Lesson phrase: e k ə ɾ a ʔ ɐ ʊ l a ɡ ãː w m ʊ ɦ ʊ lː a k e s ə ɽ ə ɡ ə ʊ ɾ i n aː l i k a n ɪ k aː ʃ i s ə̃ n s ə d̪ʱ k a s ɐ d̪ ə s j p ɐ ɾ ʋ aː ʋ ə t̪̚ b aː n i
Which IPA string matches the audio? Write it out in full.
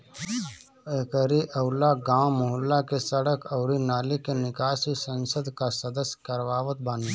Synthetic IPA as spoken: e k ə ɾ i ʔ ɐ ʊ l a ɡ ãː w m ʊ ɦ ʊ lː a k e s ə ɽ ə k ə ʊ ɾ i n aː l i k e n ɪ k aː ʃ i s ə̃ n s ə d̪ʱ k a s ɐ d̪ ə s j k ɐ ɾ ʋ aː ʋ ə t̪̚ b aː n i